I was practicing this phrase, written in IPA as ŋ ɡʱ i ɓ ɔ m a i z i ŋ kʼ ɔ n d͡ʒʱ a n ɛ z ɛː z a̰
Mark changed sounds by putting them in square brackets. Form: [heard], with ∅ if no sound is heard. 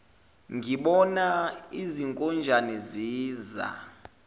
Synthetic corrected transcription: ŋ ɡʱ i ɓ ɔ [n] a i z i ŋ kʼ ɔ n d͡ʒʱ a n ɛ z [iː] z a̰